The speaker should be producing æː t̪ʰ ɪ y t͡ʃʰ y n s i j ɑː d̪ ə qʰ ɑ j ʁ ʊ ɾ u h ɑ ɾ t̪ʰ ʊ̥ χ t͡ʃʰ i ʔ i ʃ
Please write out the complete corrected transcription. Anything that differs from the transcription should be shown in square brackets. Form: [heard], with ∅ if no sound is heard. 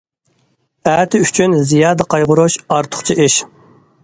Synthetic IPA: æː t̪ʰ ɪ y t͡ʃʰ y n [z] i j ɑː d̪ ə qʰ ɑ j ʁ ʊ ɾ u [ʃ] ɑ ɾ t̪ʰ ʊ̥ χ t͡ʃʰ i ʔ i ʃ